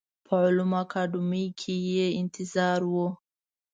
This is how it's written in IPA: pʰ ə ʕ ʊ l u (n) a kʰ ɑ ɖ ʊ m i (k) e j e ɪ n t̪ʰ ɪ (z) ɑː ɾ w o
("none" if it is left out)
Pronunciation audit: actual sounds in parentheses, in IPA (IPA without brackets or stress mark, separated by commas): m, kʰ, z